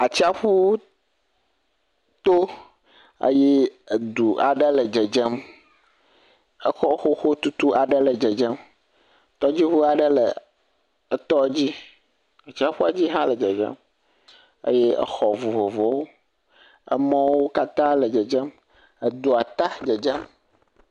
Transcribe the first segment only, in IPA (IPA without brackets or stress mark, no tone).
a